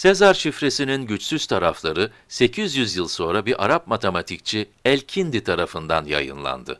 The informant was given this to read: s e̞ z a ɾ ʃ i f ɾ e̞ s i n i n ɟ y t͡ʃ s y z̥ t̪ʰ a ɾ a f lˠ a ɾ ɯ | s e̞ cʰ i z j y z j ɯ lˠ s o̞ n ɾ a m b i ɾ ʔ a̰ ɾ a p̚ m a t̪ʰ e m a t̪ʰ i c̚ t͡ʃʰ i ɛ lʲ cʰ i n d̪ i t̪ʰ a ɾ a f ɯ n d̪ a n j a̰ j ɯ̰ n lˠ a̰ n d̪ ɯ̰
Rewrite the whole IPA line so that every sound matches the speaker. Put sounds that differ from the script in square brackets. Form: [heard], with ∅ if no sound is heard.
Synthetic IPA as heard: s e̞ z a ɾ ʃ i f ɾ e̞ s i n i n ɟ y t͡ʃ s y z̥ t̪ʰ a ɾ a f lˠ a ɾ ɯ | s e̞ cʰ i z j y z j ɯ lˠ s o̞ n ɾ a [∅] b i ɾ ʔ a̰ ɾ a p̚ m a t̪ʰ e m a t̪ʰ i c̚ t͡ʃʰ i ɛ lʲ cʰ i n d̪ i t̪ʰ a ɾ a f ɯ n d̪ a n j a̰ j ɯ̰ n lˠ a̰ n d̪ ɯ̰